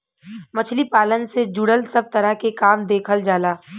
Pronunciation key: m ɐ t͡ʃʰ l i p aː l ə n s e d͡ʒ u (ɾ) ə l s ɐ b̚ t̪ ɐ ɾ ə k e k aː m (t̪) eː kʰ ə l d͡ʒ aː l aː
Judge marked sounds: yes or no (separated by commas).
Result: no, no